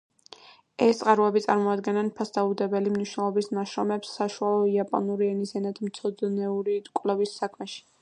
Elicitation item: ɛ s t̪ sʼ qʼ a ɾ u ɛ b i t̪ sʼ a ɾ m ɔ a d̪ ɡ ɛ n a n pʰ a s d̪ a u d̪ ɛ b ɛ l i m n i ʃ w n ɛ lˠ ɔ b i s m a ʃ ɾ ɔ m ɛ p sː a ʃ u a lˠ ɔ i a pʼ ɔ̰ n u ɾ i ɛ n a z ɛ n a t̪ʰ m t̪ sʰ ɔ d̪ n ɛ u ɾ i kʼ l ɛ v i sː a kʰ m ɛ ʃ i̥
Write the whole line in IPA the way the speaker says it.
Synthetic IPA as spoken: ɛ s t̪ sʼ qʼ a ɾ u ɛ b i t̪ sʼ a ɾ m ɔ a d̪ ɡ ɛ n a n pʰ a s d̪ a u d̪ ɛ b ɛ l i m n i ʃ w n ɛ lˠ ɔ b i s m a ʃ ɾ ɔ m ɛ p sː a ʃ u a lˠ ɔ i a pʼ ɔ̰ n u ɾ i ɛ n i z ɛ n a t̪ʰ m t̪ sʰ ɔ d̪ n ɛ u ɾ i kʼ l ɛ v i sː a kʰ m ɛ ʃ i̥